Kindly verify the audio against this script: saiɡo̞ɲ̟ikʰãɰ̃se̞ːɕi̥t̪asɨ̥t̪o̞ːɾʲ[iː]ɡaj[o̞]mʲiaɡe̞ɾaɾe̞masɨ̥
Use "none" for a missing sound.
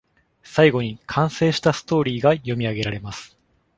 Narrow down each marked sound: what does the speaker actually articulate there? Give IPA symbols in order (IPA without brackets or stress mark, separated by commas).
iː, o̞